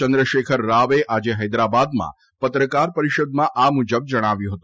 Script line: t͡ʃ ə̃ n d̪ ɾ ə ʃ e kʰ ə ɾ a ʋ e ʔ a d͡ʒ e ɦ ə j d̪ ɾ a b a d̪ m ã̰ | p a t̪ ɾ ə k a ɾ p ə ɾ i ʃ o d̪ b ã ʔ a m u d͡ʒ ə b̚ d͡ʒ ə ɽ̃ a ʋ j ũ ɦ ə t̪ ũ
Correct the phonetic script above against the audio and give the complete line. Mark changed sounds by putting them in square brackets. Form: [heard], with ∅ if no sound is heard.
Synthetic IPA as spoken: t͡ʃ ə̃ n d̪ ɾ ə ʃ e kʰ ə [ɾː] a ʋ e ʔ a d͡ʒ e ɦ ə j d̪ ɾ a b a d̪ m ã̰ | p [ə] t̪ ɾ ə k a ɾ p ə ɾ i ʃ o d̪ [m] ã ʔ a m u d͡ʒ ə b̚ d͡ʒ ə ɽ̃ a ʋ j ũ ɦ ə t̪ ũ